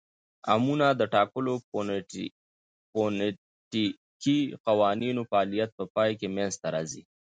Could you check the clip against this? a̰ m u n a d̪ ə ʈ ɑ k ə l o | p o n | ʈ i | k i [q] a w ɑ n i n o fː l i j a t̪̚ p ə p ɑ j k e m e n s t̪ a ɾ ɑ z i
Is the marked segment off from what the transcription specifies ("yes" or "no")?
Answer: no